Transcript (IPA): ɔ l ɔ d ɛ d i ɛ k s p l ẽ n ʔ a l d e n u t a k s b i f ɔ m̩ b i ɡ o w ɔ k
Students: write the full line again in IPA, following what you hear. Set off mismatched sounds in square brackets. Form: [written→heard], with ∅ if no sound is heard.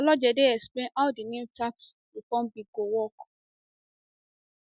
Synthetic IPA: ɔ l ɔ [d→d͡ʒ] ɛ d [i→e] ɛ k s p l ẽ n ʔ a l d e n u t a k s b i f ɔ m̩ b i ɡ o w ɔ k